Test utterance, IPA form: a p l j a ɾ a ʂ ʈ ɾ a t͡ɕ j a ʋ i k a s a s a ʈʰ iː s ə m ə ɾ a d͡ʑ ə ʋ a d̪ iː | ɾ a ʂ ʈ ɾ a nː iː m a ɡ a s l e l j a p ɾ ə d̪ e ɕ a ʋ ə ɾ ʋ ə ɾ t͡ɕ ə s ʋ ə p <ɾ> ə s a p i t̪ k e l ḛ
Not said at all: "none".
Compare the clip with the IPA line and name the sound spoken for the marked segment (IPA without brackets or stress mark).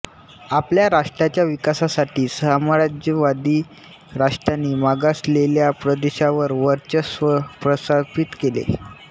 ɾ